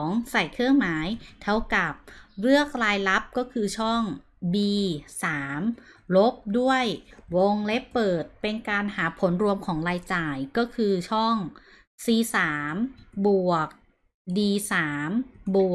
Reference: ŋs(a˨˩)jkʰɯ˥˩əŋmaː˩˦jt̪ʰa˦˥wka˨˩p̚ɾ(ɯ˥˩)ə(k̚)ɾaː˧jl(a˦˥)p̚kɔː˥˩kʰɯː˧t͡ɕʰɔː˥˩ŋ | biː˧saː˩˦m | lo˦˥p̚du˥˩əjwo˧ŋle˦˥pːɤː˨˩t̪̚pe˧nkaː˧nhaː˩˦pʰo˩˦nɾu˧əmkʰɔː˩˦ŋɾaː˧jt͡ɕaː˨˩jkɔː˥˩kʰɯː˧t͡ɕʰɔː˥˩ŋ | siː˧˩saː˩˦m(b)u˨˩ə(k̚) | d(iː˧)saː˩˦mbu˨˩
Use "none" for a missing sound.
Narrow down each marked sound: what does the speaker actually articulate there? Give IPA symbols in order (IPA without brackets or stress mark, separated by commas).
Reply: a˨˩, ɯ˥˩, k̚, a˦˥, b, k̚, iː˧